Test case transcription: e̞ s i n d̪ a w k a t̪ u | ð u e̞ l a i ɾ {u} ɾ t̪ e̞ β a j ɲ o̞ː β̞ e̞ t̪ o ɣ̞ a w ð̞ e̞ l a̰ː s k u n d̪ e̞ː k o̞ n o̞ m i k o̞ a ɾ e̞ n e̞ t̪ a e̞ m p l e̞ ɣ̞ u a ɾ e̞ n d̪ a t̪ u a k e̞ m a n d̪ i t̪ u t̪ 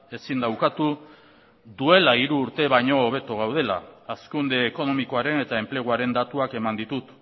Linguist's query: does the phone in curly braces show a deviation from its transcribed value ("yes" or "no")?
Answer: yes